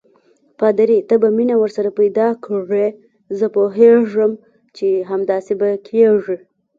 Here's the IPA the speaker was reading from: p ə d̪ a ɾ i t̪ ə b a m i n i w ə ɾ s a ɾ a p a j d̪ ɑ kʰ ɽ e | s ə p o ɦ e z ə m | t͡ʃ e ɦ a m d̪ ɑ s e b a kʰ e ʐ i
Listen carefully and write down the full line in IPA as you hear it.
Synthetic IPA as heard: p ɑ d̪ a ɾ i t̪ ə b a m i n a w ə ɾ s a ɾ a p a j d̪ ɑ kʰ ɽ e | z ə p o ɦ e ʐ ə m | t͡ʃ e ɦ a m d̪ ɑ s e b a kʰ e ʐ i